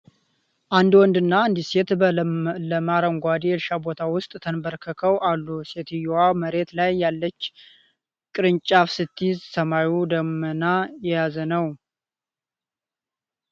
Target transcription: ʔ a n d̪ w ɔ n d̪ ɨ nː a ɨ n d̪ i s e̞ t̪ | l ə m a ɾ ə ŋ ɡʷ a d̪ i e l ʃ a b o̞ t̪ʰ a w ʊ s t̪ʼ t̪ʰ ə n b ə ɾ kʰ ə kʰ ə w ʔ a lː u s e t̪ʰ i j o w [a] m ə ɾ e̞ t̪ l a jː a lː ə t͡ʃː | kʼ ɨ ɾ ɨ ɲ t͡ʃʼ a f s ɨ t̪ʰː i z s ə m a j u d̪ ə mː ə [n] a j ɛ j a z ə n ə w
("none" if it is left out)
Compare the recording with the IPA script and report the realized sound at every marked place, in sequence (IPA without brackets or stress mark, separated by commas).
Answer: a, n